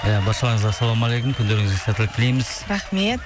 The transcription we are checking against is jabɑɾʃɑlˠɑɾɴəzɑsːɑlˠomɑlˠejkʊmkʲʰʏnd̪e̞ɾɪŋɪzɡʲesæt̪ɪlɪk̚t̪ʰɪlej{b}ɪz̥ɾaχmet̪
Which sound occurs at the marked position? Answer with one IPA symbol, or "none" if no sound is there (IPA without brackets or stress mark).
m